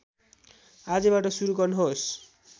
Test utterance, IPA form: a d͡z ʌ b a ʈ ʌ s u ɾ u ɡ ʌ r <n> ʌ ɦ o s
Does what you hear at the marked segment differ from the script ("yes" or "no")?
no